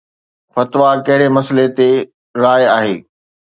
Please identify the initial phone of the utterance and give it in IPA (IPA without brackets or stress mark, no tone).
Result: f